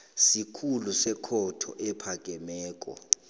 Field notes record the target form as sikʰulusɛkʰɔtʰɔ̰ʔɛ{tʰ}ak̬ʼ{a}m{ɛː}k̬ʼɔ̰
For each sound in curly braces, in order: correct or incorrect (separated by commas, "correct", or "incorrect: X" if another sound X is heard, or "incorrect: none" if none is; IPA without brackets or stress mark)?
incorrect: pʰ, incorrect: ɛ, correct